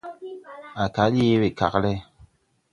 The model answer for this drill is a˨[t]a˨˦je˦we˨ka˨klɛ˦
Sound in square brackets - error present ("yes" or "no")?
yes